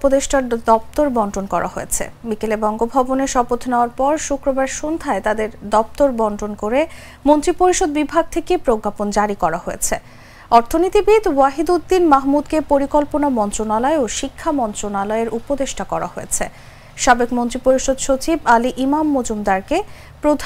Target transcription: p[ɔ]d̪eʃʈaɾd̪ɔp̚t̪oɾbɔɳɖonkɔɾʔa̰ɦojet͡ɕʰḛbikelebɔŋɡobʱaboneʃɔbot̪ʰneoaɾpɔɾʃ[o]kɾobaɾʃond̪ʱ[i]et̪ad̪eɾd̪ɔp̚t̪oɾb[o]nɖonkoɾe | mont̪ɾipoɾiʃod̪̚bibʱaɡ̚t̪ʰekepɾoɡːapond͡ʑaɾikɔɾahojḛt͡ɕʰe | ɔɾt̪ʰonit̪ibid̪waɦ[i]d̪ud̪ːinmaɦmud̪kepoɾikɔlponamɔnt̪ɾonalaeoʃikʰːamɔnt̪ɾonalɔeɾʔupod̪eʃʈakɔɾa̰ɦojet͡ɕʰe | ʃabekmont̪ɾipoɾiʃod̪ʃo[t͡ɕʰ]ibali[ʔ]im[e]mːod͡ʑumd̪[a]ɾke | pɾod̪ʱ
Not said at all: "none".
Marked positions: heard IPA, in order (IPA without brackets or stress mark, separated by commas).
o, u, a, ɔ, i, t͡ɕ, ʔ, a, a